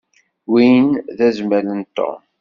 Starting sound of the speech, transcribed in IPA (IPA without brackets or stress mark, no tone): w